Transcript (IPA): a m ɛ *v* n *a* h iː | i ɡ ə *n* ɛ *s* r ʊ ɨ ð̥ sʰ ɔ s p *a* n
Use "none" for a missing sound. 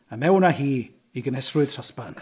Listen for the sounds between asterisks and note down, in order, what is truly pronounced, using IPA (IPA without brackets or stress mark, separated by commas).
w, a, n, s, a